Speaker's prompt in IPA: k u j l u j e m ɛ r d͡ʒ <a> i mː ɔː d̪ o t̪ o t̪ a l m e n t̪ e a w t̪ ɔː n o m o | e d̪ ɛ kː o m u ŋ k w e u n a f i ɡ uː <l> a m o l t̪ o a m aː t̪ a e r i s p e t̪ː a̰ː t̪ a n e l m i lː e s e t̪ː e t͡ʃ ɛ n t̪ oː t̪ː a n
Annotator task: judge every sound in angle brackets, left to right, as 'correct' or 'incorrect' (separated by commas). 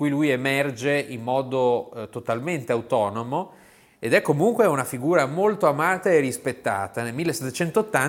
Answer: incorrect, incorrect